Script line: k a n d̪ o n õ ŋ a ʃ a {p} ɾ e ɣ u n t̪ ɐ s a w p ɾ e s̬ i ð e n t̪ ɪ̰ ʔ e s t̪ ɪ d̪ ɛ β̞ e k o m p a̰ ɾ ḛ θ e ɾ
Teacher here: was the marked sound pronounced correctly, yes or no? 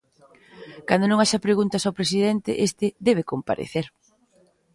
yes